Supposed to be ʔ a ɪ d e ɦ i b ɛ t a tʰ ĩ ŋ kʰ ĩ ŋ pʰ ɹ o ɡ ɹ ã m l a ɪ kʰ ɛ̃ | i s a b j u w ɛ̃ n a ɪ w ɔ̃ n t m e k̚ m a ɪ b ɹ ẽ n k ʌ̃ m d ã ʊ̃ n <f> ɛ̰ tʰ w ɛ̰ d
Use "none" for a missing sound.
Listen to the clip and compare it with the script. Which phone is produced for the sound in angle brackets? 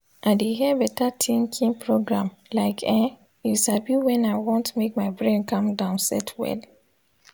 s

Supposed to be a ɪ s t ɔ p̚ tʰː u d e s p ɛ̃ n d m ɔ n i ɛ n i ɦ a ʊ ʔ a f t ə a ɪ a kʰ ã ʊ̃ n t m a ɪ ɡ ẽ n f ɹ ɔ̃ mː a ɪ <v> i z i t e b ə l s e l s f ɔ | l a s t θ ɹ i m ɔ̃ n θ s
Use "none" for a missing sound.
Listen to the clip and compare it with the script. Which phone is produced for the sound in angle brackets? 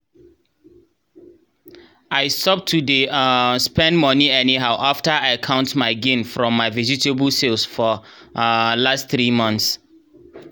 v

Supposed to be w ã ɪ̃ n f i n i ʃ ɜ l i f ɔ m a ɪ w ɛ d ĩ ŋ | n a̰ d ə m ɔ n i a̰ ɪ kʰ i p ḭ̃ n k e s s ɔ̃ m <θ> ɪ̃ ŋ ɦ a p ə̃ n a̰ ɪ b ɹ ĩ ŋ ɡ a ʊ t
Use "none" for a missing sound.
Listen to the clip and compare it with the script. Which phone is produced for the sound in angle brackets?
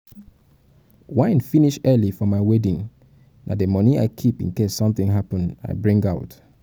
θ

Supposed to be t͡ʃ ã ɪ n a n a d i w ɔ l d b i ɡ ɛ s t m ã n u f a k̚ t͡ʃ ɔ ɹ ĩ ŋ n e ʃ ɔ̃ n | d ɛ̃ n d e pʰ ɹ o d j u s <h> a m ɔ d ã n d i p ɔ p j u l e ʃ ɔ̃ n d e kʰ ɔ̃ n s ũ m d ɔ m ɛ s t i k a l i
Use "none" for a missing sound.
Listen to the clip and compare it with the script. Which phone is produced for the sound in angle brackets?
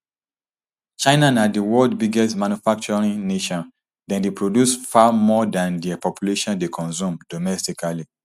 f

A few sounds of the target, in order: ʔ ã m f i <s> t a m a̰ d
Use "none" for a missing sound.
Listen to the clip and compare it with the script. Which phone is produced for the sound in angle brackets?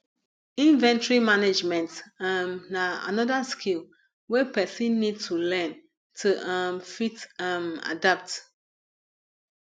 none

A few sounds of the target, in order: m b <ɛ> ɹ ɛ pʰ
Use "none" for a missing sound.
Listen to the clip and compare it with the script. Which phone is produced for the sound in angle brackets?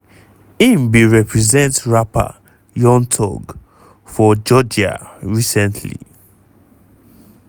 i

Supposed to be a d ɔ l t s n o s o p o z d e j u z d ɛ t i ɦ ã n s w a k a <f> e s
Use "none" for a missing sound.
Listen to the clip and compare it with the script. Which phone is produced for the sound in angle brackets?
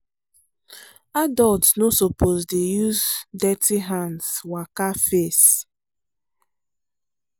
f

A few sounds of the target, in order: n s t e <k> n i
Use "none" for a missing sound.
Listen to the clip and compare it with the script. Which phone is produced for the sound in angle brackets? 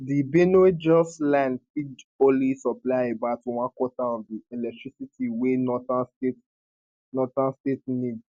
t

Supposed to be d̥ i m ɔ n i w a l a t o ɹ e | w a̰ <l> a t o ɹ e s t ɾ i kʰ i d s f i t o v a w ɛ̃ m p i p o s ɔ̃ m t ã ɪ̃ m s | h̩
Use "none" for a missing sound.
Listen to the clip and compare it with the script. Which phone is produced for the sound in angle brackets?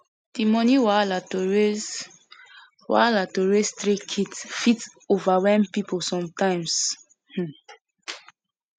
l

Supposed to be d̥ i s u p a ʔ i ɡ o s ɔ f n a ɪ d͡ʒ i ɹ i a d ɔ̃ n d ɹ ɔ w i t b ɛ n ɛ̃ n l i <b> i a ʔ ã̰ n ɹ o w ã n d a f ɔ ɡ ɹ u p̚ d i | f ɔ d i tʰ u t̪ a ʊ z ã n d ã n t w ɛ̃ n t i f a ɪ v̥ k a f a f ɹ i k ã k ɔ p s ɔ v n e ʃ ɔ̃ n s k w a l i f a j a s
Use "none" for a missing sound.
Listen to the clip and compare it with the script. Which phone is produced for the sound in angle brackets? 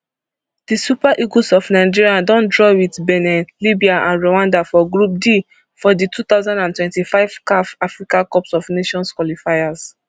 b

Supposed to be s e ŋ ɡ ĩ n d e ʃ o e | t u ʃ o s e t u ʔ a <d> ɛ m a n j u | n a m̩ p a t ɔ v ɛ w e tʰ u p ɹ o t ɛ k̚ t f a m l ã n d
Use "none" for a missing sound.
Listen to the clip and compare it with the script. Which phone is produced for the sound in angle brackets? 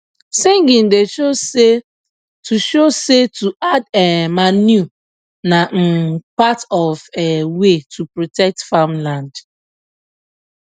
d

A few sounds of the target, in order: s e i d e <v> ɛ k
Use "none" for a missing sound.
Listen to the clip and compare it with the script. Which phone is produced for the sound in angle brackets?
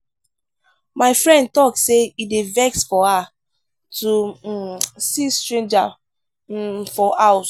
v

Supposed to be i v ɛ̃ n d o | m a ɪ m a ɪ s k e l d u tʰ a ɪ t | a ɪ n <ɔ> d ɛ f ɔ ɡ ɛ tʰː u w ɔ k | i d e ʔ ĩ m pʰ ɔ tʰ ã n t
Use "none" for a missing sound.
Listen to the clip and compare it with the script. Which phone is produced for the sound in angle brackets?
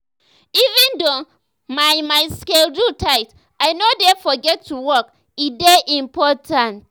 o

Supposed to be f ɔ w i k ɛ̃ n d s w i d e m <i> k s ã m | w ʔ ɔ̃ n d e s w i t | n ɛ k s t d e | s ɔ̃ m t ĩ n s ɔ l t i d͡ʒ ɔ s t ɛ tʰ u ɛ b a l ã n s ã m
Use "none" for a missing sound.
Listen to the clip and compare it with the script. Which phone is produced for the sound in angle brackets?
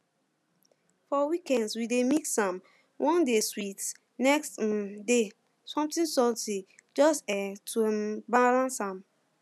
i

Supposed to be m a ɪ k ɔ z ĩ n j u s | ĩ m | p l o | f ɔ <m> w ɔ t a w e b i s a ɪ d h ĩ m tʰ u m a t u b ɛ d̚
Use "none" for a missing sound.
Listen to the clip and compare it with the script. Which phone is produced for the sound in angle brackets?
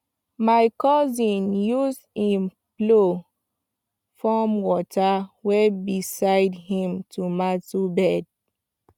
m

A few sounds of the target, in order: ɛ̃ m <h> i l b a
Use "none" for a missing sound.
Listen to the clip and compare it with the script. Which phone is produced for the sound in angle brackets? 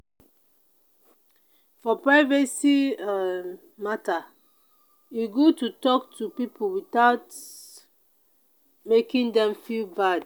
f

